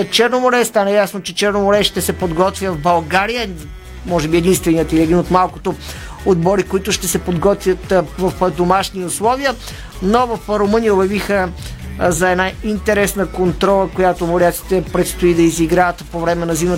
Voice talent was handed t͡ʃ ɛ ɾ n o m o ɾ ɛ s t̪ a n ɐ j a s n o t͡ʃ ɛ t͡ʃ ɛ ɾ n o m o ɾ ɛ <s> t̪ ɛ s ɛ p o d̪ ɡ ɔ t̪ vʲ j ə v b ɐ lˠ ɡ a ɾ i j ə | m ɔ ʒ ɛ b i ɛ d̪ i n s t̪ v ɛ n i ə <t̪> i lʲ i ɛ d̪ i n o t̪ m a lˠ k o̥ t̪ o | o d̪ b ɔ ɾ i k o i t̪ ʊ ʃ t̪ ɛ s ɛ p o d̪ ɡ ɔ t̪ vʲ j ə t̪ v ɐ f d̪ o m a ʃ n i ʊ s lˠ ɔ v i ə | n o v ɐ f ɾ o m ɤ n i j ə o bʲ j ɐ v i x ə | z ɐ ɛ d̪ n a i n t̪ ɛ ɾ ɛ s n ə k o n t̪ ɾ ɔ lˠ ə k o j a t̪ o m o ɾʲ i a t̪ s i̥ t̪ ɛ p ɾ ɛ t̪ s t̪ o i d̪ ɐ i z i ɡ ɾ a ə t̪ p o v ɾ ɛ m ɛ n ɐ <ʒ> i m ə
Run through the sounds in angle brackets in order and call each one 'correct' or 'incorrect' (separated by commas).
incorrect, correct, incorrect